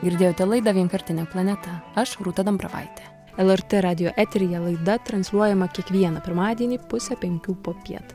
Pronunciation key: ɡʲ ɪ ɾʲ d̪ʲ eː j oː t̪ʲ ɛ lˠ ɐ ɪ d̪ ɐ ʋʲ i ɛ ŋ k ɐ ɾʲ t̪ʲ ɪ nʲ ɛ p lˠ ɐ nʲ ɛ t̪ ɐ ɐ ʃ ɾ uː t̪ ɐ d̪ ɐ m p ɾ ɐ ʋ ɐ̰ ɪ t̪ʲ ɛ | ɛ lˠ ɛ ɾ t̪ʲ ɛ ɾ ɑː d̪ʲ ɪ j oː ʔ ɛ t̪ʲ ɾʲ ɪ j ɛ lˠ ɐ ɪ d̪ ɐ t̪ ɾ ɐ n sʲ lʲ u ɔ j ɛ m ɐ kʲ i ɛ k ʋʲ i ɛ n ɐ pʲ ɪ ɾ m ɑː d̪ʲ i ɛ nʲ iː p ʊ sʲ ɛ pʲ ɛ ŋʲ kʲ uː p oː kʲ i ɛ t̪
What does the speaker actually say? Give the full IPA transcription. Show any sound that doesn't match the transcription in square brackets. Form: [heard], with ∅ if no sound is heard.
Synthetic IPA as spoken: ɡʲ ɪ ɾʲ d̪ʲ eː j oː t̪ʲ ɛ lˠ ɐ ɪ d̪ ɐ ʋʲ i ɛ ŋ k ɐ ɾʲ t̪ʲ ɪ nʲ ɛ p lˠ ɐ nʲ ɛ t̪ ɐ ɐ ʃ ɾ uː t̪ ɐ d̪ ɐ m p ɾ ɐ ʋ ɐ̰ ɪ t̪ʲ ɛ | ɛ lˠ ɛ ɾ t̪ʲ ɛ ɾ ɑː d̪ʲ ɪ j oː ʔ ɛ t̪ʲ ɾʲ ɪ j ɛ lˠ ɐ ɪ d̪ ɐ t̪ ɾ ɐ n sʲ lʲ u ɔ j ɛ m ɐ kʲ i ɛ k ʋʲ i ɛ n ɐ pʲ ɪ ɾ m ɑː d̪ʲ i ɛ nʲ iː p ʊ sʲ ɛ pʲ ɛ ŋʲ kʲ uː p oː [pʲ] i ɛ t̪